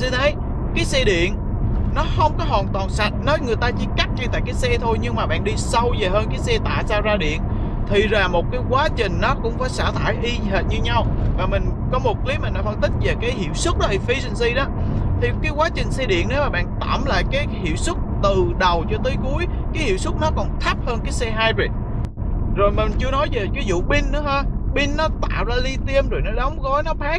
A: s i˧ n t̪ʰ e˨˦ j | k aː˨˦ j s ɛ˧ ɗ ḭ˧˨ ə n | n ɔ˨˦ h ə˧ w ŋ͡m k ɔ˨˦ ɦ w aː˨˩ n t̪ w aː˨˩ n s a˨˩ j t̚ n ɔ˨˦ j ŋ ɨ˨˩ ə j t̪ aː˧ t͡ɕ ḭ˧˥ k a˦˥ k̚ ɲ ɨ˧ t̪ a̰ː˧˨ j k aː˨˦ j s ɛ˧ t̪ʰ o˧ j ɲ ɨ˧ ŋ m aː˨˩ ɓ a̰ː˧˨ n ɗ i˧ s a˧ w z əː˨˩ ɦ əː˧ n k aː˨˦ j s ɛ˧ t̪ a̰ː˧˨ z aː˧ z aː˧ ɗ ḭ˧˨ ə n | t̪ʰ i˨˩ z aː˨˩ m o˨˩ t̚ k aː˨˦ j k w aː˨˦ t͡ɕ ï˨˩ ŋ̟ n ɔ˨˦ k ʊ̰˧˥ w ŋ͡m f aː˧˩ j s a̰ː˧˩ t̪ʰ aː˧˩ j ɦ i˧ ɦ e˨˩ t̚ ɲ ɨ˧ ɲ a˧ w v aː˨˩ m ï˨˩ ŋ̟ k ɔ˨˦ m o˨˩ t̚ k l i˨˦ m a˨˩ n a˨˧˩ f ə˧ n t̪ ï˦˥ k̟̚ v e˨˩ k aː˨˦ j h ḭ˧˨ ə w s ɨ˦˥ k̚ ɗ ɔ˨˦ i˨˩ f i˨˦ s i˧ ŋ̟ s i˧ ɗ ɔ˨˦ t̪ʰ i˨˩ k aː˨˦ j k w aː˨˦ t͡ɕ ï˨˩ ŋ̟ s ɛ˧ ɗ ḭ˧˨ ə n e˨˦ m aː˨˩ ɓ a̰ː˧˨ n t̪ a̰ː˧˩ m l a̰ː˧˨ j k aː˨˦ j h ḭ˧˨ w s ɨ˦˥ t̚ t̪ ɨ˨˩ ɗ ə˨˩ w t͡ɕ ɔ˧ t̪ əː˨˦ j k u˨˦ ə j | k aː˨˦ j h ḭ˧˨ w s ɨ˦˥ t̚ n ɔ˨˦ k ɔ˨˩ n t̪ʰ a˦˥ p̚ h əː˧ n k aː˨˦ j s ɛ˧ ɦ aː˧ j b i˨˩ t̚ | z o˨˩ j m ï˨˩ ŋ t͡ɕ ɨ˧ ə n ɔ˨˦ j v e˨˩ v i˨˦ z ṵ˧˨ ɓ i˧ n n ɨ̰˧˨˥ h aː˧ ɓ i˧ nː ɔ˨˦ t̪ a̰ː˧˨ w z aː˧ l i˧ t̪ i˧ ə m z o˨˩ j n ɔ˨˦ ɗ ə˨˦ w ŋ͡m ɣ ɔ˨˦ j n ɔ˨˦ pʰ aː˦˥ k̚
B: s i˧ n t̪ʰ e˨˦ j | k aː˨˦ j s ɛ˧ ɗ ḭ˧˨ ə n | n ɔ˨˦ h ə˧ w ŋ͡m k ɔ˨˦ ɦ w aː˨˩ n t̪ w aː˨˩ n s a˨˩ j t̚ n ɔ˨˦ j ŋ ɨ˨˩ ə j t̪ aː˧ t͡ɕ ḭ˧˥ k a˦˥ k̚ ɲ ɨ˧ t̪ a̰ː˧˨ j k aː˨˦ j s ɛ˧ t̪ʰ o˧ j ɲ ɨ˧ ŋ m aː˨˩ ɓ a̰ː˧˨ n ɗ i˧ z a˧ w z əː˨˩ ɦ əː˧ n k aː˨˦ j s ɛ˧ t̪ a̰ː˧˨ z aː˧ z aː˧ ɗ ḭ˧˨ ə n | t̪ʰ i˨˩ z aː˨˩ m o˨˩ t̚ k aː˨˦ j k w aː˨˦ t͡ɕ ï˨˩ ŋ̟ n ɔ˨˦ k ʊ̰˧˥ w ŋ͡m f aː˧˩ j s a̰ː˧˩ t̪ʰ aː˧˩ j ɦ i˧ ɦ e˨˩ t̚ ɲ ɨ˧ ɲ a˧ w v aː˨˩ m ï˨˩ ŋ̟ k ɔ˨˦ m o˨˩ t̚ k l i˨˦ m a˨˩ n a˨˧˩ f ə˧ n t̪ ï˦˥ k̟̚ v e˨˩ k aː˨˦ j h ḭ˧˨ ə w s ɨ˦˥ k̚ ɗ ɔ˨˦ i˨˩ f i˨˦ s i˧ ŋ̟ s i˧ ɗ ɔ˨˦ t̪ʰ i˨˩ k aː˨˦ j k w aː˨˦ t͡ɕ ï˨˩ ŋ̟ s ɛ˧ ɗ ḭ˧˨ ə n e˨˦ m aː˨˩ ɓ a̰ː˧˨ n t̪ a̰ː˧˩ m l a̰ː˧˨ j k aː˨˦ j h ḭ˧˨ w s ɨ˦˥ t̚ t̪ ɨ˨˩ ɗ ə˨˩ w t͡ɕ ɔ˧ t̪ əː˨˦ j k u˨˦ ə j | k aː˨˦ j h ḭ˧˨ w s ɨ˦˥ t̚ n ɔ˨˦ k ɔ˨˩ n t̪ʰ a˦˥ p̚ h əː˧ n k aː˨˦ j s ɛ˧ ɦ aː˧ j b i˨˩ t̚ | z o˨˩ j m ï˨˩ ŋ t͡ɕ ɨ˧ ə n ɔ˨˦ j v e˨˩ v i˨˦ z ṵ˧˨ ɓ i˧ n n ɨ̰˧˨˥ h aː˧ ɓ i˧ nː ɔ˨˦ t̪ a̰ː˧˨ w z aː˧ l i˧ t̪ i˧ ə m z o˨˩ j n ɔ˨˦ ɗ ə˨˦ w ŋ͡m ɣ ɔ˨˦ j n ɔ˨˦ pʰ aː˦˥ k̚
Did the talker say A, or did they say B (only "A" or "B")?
A